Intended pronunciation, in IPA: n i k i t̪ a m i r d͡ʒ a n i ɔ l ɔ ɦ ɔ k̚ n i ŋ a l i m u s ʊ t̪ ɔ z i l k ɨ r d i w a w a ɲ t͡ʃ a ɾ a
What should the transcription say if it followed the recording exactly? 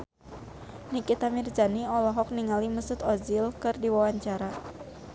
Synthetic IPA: n i k i t̪ a m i r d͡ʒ a n i ɔ l ɔ ɦ ɔ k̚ n i ŋ a l i m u s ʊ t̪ ɔ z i l k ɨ r d i w a w a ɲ t͡ʃ a ɾ a

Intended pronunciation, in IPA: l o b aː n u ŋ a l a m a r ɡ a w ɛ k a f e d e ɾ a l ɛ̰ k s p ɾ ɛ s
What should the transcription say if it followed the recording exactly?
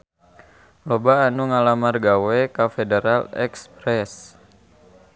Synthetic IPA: l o b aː n u ŋ a l a m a r ɡ a w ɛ k a f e d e ɾ a l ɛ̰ k s p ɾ ɛ s

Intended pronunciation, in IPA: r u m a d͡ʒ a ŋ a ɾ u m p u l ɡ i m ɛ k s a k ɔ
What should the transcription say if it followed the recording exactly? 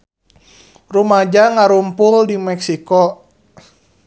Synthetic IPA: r u m a d͡ʒ a ŋ a ɾ u m p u l d i m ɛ k s i k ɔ

